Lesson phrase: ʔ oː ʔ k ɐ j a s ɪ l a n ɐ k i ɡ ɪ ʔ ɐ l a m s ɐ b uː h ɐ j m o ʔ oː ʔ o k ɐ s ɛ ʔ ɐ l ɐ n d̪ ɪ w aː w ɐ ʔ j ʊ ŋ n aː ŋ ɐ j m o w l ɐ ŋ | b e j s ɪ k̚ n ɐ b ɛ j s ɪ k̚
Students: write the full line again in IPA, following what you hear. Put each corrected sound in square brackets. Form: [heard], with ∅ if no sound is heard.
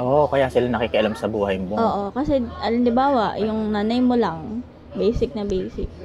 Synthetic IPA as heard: ʔ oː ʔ k ɐ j a s ɪ l a n ɐ k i [k] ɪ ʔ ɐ l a m s ɐ b uː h ɐ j m o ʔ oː ʔ o k ɐ s ɛ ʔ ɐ l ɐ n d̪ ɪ [b] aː w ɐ ʔ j ʊ ŋ n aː [n] ɐ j m o [∅] l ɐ ŋ | b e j s ɪ k̚ n ɐ b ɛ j s ɪ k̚